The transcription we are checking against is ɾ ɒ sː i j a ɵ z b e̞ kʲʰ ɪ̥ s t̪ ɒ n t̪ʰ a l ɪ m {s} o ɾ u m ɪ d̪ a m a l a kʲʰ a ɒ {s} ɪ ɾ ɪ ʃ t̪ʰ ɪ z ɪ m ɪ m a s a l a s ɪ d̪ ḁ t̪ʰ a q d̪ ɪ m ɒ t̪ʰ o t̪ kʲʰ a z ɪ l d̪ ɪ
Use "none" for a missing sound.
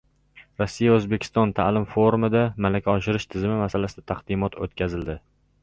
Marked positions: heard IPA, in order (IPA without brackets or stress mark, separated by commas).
f, ʃ